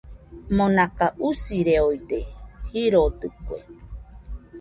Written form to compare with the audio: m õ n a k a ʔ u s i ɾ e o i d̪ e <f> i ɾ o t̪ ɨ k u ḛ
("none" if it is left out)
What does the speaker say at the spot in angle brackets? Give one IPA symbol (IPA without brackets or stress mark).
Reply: h